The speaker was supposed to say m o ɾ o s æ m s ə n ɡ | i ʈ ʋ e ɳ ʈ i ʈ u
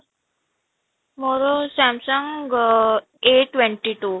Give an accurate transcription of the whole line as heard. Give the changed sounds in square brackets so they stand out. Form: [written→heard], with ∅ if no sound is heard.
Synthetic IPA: m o ɾ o s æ m s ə [n→ŋ] ɡ | [i→e] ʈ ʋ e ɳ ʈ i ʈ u